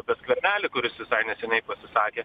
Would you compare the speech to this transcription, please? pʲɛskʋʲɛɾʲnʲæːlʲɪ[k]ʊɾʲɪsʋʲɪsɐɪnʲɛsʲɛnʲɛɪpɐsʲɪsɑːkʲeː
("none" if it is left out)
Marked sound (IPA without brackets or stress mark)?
k